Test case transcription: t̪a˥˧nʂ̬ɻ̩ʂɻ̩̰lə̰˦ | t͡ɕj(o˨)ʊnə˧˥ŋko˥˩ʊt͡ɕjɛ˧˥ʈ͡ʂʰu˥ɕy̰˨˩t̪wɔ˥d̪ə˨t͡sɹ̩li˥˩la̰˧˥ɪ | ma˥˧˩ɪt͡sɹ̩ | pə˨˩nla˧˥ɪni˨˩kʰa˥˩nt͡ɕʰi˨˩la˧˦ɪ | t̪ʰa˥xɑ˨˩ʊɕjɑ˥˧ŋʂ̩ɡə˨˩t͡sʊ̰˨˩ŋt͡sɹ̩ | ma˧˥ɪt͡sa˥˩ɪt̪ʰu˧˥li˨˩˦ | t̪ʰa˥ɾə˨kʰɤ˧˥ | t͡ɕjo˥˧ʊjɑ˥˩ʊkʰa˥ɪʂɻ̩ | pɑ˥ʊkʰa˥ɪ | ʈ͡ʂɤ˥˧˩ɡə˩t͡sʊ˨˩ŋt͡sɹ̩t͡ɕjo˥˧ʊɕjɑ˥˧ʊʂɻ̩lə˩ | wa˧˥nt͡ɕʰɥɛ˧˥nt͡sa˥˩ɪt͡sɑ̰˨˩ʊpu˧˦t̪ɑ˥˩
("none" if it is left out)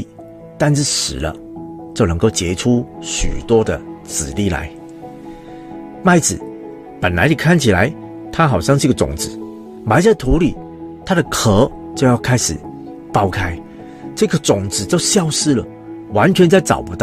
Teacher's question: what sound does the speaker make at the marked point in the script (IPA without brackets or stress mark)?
o˥˩